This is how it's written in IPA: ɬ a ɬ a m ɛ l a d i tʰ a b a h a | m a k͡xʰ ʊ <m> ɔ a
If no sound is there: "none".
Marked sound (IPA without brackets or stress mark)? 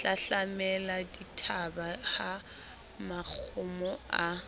m